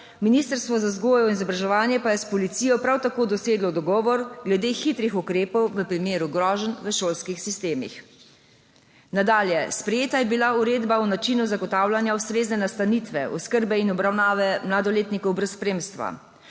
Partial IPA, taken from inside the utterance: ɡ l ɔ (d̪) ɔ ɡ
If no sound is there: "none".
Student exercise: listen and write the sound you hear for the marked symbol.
d̪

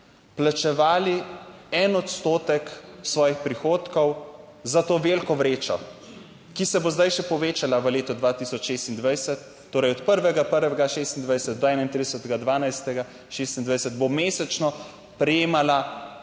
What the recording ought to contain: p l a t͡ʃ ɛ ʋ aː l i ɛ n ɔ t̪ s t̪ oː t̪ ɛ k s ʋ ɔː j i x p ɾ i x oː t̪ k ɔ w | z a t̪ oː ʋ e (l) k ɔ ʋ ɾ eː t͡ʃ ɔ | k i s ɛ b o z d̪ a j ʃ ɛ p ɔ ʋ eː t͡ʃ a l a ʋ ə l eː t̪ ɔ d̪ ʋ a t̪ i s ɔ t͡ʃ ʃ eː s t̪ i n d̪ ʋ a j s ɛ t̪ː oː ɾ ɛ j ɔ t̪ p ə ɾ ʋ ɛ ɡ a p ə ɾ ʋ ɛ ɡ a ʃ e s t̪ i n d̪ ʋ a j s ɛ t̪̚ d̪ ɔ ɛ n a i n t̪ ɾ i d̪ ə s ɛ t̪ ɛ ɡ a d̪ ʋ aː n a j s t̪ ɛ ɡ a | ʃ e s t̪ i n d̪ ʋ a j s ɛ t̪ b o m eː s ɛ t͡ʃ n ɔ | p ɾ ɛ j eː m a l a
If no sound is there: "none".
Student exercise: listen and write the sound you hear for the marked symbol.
l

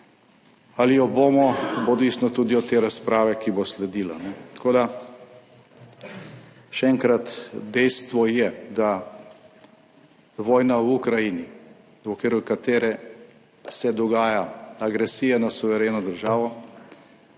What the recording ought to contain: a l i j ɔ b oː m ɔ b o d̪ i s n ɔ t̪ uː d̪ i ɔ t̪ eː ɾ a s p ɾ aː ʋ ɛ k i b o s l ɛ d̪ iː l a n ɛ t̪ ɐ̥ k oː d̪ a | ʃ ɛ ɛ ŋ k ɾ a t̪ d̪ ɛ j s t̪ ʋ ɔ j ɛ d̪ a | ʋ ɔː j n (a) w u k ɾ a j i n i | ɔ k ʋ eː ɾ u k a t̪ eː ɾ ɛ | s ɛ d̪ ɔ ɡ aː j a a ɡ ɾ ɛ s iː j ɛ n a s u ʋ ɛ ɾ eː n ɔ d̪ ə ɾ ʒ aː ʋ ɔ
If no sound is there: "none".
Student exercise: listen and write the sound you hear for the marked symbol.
a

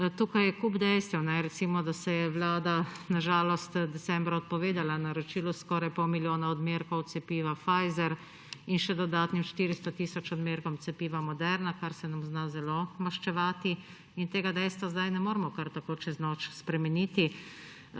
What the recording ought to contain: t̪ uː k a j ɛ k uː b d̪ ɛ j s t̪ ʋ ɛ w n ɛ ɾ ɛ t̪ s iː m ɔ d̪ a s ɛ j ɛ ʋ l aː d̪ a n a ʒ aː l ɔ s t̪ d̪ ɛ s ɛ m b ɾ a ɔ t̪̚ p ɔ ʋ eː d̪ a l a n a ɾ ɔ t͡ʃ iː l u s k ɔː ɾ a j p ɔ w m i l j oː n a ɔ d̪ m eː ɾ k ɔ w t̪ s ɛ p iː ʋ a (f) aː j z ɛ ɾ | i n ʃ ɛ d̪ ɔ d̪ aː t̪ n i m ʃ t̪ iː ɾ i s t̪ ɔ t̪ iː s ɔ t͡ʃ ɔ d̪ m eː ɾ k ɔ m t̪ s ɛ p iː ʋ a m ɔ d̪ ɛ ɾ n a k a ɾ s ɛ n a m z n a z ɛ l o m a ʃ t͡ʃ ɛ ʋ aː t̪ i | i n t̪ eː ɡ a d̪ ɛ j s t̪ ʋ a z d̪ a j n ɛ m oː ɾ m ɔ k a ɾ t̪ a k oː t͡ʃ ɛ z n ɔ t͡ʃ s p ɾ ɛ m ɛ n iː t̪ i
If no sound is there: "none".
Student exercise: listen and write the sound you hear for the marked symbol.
f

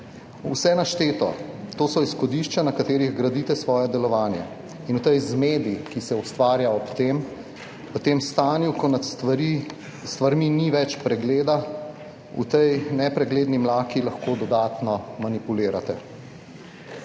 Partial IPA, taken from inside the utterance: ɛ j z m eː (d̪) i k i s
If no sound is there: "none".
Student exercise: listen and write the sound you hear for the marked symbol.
d̪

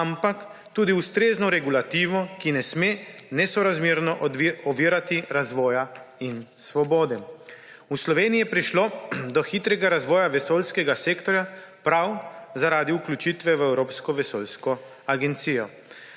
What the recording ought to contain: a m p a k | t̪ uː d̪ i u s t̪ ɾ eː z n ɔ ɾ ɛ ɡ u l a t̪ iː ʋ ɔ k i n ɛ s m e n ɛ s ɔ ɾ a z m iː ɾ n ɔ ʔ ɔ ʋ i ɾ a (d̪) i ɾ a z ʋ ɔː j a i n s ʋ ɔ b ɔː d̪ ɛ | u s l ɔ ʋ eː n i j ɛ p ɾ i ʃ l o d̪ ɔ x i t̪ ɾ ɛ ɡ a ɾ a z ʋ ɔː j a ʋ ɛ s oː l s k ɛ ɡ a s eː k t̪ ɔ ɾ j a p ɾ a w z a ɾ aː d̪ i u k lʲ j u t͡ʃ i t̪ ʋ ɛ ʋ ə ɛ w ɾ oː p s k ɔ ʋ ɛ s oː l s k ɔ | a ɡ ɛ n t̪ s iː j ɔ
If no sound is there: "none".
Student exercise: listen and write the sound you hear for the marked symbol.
t̪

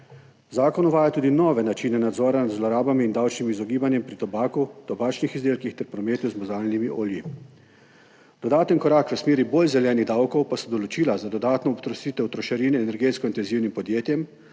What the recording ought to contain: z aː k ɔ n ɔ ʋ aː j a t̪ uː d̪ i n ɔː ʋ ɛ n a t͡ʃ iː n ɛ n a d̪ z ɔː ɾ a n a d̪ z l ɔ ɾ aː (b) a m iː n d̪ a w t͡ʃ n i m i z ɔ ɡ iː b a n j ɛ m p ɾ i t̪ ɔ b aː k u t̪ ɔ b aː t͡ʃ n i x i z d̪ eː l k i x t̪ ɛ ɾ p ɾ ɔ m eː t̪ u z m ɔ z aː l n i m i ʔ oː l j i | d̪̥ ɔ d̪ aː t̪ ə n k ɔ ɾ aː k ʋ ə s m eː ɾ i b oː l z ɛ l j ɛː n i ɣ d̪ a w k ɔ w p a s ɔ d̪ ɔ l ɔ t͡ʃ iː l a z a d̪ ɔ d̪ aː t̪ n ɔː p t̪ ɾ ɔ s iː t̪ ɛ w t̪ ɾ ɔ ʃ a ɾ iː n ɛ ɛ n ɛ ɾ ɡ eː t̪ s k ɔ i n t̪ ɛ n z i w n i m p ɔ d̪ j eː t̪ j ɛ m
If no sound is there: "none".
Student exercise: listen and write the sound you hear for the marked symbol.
b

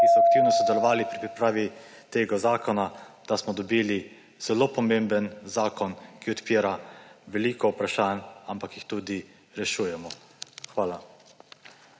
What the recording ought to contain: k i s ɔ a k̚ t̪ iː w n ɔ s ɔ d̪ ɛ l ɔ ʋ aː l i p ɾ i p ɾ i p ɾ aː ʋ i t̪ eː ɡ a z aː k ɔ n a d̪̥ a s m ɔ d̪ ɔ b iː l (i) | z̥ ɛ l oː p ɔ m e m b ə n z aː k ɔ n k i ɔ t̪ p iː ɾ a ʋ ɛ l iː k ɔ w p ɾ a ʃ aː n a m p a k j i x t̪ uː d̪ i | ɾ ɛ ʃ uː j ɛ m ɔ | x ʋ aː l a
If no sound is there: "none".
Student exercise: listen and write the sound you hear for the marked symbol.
i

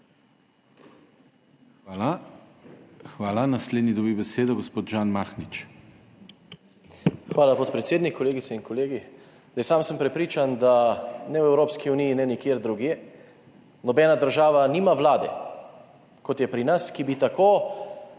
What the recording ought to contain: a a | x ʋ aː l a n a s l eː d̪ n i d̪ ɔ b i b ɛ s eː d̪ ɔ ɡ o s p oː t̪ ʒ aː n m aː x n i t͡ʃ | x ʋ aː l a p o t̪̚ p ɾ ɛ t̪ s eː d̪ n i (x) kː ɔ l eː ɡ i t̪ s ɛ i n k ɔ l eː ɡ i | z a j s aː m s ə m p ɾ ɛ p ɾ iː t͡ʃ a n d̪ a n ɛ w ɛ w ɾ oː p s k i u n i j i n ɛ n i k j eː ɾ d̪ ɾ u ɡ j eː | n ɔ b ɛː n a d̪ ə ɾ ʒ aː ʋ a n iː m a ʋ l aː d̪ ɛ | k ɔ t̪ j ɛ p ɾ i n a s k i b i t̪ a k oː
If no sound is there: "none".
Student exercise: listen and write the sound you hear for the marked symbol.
k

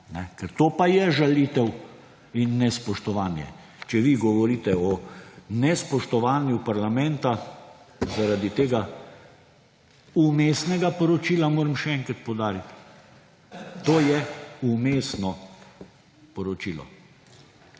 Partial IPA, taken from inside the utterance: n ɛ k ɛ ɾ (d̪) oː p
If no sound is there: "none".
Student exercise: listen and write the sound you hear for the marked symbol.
t̪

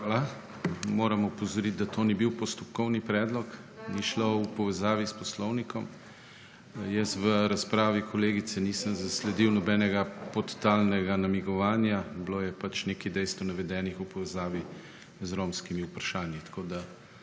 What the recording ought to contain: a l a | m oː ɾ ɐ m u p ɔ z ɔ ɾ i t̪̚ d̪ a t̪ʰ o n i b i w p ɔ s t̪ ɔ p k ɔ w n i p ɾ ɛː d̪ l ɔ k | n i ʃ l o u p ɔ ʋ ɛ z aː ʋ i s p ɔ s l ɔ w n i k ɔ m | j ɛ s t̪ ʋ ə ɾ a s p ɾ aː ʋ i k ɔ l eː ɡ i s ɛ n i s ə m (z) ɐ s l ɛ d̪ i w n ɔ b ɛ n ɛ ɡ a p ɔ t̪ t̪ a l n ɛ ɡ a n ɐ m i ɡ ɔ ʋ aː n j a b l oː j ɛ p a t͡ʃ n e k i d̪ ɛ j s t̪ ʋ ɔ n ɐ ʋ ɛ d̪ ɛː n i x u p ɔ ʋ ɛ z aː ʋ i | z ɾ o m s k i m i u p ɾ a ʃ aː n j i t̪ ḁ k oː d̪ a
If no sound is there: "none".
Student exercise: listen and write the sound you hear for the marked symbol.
z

